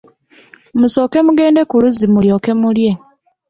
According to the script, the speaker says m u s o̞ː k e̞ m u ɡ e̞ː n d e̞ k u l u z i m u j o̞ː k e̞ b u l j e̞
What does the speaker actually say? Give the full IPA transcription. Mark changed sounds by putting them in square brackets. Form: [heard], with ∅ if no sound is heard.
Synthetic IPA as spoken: m u s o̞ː k e̞ m u ɡ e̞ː n d e̞ k u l u z i m u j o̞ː k e̞ [m] u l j e̞